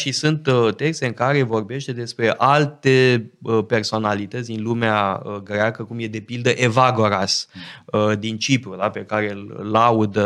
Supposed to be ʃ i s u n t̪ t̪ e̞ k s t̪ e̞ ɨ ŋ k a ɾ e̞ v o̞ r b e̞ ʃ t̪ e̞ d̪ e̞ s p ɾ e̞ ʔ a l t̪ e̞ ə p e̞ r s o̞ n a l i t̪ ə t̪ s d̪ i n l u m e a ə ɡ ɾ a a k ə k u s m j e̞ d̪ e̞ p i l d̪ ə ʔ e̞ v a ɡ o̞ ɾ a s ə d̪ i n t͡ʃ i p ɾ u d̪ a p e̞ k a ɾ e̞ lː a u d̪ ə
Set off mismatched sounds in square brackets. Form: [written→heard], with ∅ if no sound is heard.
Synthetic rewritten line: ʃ i s u n t̪ t̪ e̞ k s t̪ e̞ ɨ ŋ k a ɾ e̞ v o̞ r b e̞ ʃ t̪ e̞ d̪ e̞ s p ɾ e̞ ʔ a l t̪ e̞ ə p e̞ r s o̞ n a l i t̪ ə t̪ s d̪ i n l u m e a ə ɡ ɾ [a→e] a k ə k u [s→∅] m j e̞ d̪ e̞ p i l d̪ ə ʔ e̞ v a ɡ o̞ ɾ a s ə d̪ i n t͡ʃ i p ɾ u d̪ a p e̞ k a ɾ e̞ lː a u d̪ ə